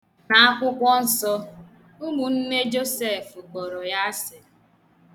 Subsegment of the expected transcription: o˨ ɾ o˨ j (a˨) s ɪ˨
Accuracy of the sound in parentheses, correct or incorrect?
incorrect